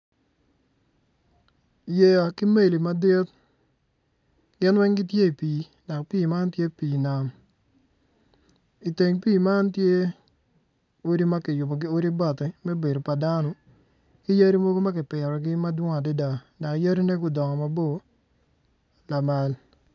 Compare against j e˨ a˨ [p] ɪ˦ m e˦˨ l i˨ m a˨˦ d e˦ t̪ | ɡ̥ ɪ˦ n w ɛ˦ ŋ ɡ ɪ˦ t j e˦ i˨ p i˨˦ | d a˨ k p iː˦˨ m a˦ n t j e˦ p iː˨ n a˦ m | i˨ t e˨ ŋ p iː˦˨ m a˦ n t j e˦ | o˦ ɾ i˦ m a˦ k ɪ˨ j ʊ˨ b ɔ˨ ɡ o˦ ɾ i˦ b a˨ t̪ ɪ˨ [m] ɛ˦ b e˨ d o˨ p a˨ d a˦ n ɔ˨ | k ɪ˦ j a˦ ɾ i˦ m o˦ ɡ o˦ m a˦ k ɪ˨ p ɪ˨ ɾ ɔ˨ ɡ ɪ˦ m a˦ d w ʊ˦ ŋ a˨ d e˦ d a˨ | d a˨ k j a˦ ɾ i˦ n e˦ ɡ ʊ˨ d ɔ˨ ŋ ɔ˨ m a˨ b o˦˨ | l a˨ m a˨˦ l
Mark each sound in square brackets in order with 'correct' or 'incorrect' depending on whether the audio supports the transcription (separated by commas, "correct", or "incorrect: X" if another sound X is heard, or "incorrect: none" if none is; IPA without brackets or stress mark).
incorrect: k, correct